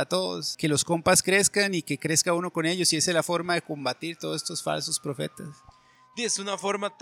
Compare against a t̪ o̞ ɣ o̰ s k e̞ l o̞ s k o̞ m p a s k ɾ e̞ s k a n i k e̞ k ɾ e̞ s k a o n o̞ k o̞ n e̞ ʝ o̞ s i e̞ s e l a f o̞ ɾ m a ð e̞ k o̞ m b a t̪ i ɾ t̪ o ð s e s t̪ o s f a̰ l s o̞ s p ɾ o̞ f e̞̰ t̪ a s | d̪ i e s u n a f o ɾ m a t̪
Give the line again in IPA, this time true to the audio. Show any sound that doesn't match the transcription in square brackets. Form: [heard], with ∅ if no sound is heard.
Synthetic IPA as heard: a t̪ o̞ [ð] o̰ s k e̞ l o̞ s k o̞ m p a s k ɾ e̞ s k a n i k e̞ k ɾ e̞ s k a [u] n o̞ k o̞ n e̞ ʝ o̞ s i e̞ s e l a f o̞ ɾ m a ð e̞ k o̞ m b a t̪ i ɾ t̪ o ð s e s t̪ o s f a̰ l s o̞ s p ɾ o̞ f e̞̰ t̪ a s | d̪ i e s u n a f o ɾ m a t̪